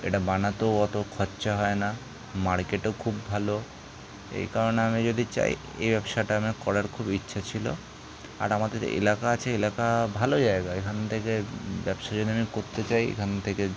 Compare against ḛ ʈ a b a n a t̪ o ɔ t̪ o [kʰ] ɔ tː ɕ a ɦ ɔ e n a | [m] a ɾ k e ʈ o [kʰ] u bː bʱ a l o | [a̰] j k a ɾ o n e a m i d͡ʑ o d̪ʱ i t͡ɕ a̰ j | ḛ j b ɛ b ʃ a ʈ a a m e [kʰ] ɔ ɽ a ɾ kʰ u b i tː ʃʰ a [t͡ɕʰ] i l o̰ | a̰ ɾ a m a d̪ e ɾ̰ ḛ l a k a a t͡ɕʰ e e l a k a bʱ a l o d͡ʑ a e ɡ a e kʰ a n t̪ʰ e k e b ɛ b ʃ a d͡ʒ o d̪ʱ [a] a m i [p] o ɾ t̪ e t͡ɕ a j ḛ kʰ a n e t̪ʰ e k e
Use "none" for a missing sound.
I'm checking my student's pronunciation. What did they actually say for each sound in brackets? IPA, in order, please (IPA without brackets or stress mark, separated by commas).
kʰ, m, kʰ, ḛ, k, t͡ɕʰ, i, k